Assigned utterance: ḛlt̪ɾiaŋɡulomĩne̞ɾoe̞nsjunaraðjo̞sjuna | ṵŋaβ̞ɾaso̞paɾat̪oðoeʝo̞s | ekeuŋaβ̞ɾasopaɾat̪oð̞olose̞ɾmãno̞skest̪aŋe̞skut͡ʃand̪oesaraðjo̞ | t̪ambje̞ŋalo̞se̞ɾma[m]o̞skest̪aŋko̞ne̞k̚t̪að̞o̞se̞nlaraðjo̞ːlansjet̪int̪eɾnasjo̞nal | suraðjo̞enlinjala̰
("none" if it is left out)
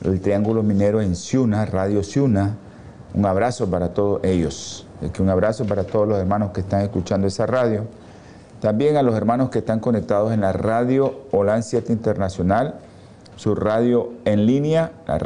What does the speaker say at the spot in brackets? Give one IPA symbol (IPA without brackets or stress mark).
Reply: n